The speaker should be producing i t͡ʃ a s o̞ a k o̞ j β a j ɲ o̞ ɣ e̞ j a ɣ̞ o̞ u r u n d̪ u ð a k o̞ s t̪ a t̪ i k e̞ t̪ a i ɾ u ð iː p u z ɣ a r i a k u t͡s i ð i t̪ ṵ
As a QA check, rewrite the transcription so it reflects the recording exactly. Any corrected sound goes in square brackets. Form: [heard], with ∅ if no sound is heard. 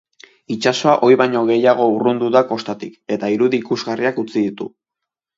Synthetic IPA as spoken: i t͡ʃ a s o̞ a [ʔ] o̞ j β a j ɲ o̞ ɣ e̞ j a ɣ̞ o̞ u r u n d̪ u ð a k o̞ s t̪ a t̪ i k e̞ t̪ a i ɾ u ð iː [k] u z ɣ a r i a k u t͡s i ð i t̪ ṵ